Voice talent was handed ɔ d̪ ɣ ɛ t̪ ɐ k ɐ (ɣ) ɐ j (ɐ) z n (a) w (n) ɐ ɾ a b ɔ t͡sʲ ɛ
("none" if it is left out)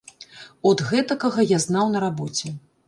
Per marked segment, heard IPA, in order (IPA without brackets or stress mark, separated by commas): ɣ, a, a, n